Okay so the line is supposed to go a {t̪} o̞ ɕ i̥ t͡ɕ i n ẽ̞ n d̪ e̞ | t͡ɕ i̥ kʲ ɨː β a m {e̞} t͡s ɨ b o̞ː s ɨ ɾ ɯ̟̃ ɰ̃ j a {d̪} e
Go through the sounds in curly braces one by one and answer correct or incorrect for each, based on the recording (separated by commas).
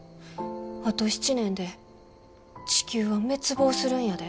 correct, correct, correct